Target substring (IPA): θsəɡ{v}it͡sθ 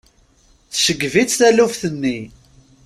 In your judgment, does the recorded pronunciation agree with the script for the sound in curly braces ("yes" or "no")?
yes